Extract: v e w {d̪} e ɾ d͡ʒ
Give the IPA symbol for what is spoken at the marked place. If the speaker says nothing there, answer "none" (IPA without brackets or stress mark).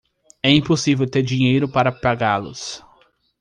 t̪